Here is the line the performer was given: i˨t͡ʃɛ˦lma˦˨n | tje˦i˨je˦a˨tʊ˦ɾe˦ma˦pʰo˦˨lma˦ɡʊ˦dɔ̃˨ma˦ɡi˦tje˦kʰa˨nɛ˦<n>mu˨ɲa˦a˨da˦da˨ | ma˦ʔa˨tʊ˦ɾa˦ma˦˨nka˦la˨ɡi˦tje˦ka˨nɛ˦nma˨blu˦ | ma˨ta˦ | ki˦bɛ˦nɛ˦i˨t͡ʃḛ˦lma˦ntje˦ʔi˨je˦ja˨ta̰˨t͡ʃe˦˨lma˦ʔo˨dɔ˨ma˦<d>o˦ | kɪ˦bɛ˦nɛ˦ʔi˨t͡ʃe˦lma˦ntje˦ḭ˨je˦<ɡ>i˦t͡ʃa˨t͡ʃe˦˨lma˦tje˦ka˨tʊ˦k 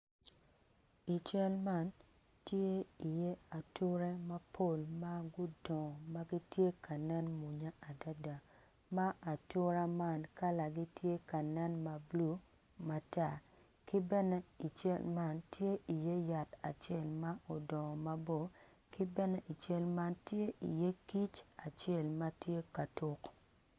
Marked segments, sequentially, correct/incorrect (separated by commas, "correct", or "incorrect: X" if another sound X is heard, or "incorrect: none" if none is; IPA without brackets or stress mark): correct, incorrect: b, incorrect: k